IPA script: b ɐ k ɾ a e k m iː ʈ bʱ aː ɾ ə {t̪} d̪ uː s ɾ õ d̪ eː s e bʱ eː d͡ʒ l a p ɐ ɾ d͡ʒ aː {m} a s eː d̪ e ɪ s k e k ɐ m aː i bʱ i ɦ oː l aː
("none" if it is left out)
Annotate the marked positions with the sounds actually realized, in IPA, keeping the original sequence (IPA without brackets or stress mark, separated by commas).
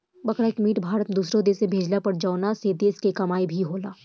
t̪, n